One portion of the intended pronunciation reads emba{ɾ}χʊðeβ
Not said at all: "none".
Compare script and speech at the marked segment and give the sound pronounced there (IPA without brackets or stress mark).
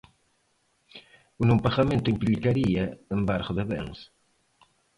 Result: ɾ